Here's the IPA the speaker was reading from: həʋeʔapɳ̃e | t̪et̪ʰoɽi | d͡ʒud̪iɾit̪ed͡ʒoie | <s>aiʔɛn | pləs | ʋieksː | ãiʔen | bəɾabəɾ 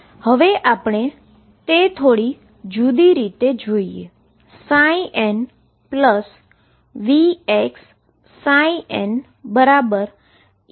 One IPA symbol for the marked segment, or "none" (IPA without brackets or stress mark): s